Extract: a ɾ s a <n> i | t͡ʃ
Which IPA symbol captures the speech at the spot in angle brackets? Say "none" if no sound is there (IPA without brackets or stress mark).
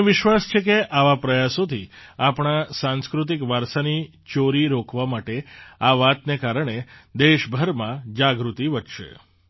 n